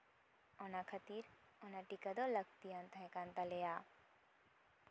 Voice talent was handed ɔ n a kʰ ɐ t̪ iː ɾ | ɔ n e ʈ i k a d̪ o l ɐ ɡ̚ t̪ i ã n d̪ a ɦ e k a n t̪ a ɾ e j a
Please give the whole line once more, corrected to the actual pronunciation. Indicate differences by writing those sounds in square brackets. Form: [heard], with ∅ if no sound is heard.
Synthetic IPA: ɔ n a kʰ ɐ t̪ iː ɾ | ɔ n [a] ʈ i k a d̪ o l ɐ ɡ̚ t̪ i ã n [t̪] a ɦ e k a n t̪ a [l] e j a